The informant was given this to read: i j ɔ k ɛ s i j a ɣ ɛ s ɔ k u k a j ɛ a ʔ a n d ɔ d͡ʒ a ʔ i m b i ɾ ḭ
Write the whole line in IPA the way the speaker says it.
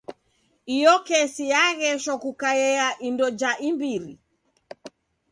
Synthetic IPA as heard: i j ɔ k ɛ s i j a ɣ ɛ ʃ ɔ k u k a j ɛ a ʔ i n d ɔ d͡ʒ a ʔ i m b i ɾ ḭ

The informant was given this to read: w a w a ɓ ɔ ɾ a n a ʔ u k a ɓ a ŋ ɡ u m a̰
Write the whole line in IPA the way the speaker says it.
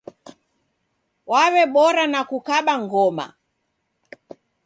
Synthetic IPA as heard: w a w ɛ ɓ ɔ ɾ a n a k u k a ɓ a ŋ ɡ ɔ m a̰

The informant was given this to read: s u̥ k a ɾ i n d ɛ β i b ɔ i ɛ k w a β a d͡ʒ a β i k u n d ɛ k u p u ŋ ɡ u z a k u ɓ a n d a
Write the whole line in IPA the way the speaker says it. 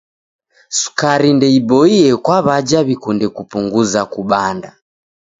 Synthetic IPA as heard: s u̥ k a ɾ i n d ɛ i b ɔ i ɛ k w a β a d͡ʒ a β i k u n d ɛ k u p u ŋ ɡ u z a k u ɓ a n d a

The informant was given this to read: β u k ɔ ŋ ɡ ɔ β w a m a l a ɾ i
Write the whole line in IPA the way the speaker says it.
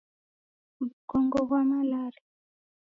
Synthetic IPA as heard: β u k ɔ ŋ ɡ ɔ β w a m a l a ɾ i

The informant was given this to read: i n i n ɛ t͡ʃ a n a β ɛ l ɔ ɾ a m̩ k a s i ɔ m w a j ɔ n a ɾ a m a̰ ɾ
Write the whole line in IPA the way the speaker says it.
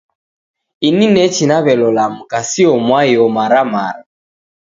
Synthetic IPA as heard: i n i n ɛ t͡ʃ i n a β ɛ l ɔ l a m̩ k a s i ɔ m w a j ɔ m a ɾ a m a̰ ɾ

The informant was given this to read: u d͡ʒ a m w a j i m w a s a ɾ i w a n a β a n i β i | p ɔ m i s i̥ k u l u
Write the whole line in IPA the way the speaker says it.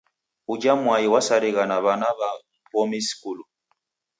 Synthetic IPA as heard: u d͡ʒ a m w a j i w a s a ɾ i ɣ a n a β a n a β a | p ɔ m i s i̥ k u l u

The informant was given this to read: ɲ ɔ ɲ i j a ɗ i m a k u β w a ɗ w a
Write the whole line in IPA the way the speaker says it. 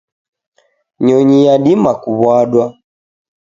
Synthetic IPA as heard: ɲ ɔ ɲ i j a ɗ i m a k u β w a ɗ w a

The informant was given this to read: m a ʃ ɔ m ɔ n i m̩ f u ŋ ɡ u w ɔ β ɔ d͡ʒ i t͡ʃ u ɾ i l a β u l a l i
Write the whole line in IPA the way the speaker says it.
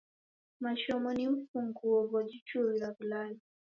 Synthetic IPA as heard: m a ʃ ɔ m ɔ n i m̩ f u ŋ ɡ u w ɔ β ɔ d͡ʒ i t͡ʃ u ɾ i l a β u l a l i

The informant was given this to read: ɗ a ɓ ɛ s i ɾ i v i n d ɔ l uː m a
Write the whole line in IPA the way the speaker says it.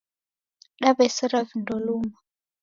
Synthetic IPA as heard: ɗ a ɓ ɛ s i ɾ a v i n d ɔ l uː m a

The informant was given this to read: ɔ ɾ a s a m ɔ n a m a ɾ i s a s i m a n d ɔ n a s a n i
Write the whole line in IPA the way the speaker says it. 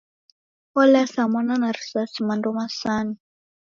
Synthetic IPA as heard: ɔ l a s a m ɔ n a n a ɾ i s a s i m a n d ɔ m a s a n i

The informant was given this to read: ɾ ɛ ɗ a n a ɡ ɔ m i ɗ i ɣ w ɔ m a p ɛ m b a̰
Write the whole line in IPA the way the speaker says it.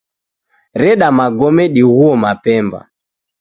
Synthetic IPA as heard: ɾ ɛ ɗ a m a ɡ ɔ m ɛ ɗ i ɣ u ɔ m a p ɛ m b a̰

